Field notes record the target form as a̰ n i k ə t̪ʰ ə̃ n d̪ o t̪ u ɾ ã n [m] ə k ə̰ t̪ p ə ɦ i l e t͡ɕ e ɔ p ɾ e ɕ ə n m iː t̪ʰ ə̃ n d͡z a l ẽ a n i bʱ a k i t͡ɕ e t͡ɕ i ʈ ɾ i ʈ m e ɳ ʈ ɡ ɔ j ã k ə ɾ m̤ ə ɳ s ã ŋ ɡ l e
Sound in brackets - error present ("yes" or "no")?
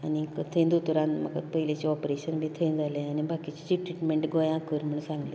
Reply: no